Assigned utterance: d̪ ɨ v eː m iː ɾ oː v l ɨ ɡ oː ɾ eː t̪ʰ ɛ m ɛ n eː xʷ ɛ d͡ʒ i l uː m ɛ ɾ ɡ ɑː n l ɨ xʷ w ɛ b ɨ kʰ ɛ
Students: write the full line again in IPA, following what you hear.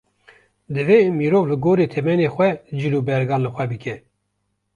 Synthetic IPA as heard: d̪ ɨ v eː m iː ɾ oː v l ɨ ɡ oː ɾ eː t̪ʰ ɛ m ɛ n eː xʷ ɛ d͡ʒ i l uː b ɛ ɾ ɡ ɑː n l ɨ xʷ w ɛ b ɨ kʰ ɛ